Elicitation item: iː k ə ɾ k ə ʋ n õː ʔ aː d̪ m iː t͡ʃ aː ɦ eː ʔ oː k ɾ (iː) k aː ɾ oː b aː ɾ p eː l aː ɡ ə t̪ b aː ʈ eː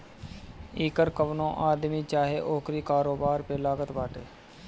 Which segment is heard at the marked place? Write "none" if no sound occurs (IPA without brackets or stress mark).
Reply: iː